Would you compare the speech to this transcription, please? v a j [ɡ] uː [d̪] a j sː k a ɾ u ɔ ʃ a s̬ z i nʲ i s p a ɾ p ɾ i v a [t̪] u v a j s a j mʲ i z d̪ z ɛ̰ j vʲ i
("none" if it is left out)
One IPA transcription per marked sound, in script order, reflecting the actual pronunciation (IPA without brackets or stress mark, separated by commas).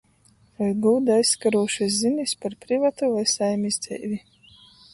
ɡ, d̪, t̪